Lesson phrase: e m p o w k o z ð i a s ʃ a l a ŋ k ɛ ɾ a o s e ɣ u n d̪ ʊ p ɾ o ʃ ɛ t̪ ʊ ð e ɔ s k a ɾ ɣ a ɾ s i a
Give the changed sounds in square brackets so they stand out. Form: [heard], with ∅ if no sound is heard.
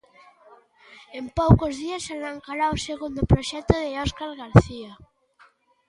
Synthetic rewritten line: e m p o w k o z ð i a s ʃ a l a ŋ k [a] ɾ a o s e ɣ u n d̪ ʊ p ɾ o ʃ ɛ t̪ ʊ ð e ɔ s k a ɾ ɣ a ɾ [θ] i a